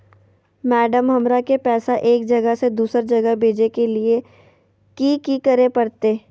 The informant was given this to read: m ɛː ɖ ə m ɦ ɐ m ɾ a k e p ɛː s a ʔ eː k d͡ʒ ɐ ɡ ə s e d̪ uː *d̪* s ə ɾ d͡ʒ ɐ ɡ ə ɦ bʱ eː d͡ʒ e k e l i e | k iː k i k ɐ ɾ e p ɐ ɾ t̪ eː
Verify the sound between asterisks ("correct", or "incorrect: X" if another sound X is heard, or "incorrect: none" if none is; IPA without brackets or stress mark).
incorrect: none